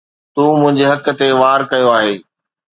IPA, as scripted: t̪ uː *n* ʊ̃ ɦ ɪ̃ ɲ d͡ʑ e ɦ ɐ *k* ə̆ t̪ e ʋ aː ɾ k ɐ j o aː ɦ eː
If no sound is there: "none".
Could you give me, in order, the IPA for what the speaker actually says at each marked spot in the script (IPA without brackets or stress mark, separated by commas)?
m, k